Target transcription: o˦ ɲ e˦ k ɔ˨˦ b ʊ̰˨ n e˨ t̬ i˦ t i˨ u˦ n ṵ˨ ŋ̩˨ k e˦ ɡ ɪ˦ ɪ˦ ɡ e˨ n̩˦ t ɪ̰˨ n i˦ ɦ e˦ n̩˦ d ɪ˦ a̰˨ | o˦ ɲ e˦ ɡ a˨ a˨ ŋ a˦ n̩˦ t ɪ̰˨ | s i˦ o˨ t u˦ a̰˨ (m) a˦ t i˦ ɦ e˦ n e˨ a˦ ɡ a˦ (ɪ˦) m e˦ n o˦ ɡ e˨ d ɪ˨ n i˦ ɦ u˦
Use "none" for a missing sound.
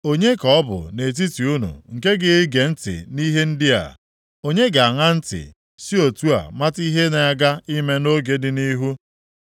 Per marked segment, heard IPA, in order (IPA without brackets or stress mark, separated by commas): m, i˦